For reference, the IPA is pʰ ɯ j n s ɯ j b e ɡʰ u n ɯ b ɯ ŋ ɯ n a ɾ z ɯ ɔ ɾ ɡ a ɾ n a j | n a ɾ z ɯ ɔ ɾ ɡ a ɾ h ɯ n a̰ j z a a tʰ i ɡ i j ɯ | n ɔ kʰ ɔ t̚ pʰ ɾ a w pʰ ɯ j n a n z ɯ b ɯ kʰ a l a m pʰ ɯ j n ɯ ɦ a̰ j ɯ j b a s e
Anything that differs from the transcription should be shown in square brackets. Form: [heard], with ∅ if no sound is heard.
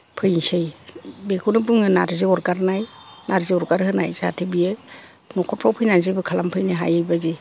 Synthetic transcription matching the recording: pʰ ɯ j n s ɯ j b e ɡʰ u n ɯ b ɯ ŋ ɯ n a ɾ z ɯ ɔ ɾ ɡ a ɾ n a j | n a ɾ z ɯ ɔ ɾ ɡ a ɾ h ɯ n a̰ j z a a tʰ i [b] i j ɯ | n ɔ kʰ ɔ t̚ pʰ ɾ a w pʰ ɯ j n a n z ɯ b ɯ kʰ a l a m pʰ ɯ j n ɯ ɦ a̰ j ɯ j b a [z] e